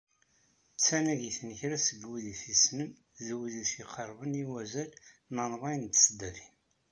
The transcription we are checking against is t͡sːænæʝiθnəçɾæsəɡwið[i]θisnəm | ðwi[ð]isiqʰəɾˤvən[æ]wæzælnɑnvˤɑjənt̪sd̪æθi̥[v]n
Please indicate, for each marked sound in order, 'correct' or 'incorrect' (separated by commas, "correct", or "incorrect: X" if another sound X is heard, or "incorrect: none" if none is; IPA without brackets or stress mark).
correct, correct, incorrect: i, incorrect: none